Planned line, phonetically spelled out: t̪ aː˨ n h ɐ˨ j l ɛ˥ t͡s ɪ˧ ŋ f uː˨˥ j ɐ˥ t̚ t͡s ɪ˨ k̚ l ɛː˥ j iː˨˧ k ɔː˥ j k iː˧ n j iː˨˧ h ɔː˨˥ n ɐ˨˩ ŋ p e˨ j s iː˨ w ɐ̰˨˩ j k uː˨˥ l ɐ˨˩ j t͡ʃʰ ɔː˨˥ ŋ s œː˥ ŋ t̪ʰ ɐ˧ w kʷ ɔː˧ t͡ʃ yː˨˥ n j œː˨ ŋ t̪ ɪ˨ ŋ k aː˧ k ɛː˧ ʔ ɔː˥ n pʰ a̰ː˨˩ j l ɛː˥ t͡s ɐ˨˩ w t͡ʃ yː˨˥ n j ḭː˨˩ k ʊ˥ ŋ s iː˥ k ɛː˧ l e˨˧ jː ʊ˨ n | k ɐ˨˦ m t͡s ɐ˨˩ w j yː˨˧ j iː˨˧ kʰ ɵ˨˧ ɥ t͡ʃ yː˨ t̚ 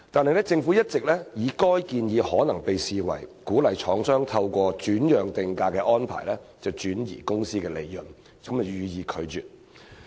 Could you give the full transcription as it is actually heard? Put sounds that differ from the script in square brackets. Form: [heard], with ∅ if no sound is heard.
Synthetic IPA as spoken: t̪ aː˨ n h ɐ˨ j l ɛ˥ t͡s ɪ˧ ŋ f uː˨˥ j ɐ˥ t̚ t͡s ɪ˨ k̚ l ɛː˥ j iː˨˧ k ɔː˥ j k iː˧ n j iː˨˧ h ɔː˨˥ n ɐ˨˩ ŋ p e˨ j s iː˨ w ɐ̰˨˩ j k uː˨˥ l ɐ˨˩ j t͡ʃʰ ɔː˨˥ ŋ s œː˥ ŋ t̪ʰ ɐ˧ w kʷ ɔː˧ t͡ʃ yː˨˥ n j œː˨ ŋ t̪ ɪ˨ ŋ k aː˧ k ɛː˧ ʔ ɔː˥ n pʰ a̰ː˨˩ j l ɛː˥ t͡s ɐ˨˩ w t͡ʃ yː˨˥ n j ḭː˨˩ k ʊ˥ ŋ s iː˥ k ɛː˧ l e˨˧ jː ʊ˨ n | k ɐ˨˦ m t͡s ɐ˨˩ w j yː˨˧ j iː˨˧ kʰ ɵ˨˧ ɥ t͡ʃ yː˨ t̚